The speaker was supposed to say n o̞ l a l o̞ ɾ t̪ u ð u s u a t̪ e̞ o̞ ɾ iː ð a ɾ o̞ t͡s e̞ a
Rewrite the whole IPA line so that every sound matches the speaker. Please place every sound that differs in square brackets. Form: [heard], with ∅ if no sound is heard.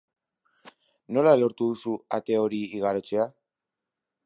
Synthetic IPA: n o̞ l a l o̞ ɾ t̪ u ð u s u a t̪ e̞ o̞ ɾ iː [ɣ] a ɾ o̞ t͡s e̞ a